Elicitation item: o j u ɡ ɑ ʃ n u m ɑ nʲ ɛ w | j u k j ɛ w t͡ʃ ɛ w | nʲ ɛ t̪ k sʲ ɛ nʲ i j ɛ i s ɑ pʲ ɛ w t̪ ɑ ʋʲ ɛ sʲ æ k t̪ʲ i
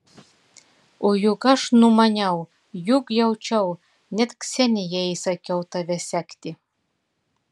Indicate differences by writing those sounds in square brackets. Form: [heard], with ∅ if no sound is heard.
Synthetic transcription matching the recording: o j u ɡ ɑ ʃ n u m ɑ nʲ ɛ w | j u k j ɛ w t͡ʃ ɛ w | nʲ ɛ t̪ k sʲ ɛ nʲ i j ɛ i s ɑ [kʲ] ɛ w t̪ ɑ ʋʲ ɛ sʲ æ k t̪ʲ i